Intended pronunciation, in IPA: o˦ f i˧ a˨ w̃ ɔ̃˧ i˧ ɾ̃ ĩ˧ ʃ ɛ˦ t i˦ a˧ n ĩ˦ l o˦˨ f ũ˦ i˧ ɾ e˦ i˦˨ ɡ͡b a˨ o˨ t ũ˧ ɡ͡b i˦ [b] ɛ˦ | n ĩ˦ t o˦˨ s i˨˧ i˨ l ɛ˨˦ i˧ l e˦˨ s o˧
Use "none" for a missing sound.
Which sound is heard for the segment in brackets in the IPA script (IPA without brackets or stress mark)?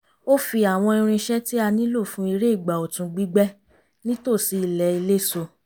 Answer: ɡ͡b